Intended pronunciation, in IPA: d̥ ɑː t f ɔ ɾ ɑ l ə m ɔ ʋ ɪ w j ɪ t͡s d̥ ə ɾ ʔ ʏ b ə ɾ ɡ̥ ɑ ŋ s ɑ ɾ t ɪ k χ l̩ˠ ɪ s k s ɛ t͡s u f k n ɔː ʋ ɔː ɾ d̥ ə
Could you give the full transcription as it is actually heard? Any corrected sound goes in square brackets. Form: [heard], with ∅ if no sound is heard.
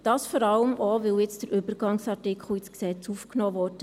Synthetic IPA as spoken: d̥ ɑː [s] f ɔ ɾ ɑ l ə m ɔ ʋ ɪ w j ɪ t͡s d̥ ə ɾ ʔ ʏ b ə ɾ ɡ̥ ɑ ŋ s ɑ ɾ t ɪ k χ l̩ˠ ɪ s k s ɛ t͡s u f k n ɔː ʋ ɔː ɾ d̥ ə